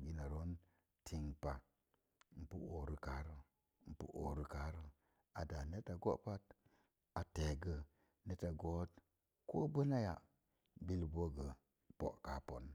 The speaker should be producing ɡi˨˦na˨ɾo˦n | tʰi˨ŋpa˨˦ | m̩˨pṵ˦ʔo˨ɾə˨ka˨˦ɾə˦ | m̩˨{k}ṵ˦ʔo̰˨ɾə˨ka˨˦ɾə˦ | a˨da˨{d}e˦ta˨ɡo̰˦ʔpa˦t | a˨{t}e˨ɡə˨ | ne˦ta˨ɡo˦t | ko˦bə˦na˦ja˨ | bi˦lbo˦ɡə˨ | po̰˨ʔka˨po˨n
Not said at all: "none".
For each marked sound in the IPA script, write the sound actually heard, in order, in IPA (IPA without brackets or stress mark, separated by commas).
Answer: p, n, t